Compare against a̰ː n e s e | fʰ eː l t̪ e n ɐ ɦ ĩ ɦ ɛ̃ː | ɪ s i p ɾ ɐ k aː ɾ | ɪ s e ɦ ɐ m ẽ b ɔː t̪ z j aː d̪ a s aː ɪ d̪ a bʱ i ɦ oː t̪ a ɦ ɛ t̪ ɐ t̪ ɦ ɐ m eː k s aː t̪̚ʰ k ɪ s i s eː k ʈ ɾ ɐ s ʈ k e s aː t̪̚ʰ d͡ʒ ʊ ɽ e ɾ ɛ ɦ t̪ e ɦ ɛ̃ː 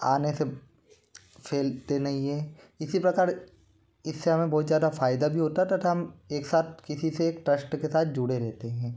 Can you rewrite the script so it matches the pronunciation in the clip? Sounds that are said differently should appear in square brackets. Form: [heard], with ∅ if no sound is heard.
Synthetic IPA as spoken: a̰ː n e s e | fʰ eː l t̪ e n ɐ ɦ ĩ ɦ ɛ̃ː | ɪ s i p ɾ ɐ k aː ɾ | ɪ [sː] e ɦ ɐ m ẽ b ɔː t̪ z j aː d̪ a [f] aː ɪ d̪ a bʱ i ɦ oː t̪ a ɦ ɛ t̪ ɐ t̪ ɦ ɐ m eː k s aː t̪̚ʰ k ɪ s i s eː k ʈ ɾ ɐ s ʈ k e s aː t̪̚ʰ d͡ʒ ʊ ɽ e ɾ ɛ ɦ t̪ e ɦ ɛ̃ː